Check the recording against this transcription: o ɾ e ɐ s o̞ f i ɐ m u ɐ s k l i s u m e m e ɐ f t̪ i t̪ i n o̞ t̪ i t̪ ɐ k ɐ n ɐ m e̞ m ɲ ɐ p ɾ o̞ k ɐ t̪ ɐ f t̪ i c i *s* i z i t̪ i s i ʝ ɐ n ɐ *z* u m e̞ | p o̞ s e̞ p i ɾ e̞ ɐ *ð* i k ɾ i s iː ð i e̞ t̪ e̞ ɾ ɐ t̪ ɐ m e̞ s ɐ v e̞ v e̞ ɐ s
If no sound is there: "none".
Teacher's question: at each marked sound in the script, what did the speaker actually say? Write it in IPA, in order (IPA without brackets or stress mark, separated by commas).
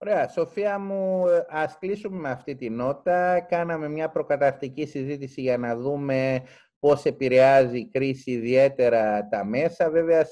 s, ð, z